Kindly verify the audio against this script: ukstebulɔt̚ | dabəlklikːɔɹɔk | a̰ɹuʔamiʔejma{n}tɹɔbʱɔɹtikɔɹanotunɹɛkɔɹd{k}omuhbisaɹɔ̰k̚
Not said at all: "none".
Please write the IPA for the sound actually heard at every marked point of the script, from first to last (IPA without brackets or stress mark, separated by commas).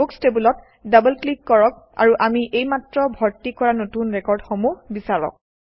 none, x